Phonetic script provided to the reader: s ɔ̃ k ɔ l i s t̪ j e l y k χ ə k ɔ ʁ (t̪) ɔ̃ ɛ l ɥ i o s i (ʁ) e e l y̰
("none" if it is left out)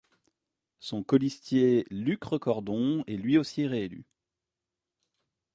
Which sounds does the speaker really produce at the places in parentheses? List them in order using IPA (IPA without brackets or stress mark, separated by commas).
d̪, ʁ